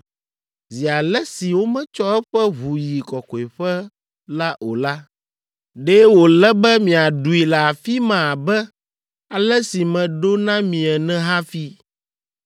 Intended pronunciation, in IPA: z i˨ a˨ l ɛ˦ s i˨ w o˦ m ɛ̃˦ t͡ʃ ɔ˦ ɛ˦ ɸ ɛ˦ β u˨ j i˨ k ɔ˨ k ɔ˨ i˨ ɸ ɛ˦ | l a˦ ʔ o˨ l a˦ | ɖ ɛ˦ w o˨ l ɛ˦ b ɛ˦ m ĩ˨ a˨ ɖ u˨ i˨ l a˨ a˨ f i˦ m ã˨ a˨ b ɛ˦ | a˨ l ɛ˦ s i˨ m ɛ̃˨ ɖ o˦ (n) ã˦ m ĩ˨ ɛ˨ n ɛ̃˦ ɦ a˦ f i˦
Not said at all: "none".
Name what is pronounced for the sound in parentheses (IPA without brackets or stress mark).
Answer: n